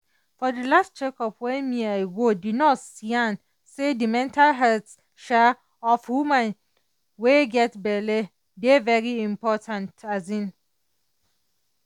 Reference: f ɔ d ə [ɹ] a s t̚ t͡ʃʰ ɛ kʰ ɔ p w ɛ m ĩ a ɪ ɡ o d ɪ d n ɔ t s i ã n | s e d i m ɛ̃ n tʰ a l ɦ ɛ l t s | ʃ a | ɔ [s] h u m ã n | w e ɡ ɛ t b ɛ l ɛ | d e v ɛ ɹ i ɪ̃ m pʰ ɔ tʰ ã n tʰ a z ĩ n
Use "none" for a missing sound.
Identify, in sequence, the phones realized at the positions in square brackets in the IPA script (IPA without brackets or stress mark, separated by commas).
l, f